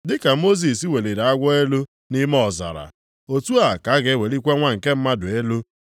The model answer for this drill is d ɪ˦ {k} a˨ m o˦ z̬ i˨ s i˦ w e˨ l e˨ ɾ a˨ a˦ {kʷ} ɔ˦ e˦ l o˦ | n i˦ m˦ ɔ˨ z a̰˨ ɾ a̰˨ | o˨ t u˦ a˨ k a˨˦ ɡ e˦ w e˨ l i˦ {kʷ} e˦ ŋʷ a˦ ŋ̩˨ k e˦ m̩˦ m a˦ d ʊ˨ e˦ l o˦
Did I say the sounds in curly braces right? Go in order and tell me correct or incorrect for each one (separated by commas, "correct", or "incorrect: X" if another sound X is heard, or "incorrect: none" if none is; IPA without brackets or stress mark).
correct, incorrect: ɡʷ, correct